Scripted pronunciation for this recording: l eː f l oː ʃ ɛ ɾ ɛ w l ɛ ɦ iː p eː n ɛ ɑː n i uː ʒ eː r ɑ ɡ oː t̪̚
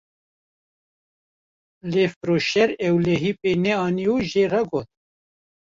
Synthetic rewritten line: l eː f ɾ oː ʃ ɛ ɾ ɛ w l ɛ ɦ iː p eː n ɛ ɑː n i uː ʒ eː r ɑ ɡ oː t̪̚